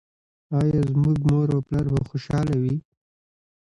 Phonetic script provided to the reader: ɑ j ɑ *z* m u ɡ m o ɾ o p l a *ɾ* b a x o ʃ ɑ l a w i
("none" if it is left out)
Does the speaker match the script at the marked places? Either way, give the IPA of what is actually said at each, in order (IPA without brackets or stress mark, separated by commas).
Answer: z, ɾ